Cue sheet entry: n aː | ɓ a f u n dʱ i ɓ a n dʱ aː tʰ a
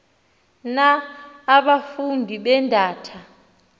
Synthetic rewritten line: n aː | ɓ a f u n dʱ i ɓ ɛ n dʱ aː tʰ a